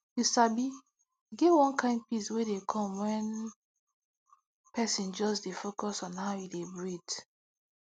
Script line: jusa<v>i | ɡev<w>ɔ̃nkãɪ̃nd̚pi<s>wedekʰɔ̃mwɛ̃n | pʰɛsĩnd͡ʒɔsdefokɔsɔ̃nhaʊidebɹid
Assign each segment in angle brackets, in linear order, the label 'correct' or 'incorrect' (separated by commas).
incorrect, correct, correct